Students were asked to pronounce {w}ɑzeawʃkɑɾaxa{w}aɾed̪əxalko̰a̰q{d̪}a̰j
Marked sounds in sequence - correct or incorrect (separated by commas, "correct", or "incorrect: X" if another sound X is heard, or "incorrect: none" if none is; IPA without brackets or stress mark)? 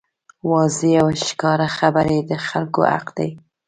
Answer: correct, incorrect: b, correct